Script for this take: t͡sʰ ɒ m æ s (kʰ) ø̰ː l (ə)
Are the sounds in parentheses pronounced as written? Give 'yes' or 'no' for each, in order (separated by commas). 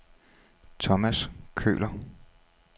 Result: yes, no